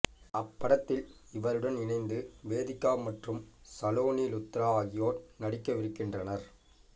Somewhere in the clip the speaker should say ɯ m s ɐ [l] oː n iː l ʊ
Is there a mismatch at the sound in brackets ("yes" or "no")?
no